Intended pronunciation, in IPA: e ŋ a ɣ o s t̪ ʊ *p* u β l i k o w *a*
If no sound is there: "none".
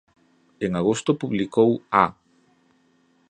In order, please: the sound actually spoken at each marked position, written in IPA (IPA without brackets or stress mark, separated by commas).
p, a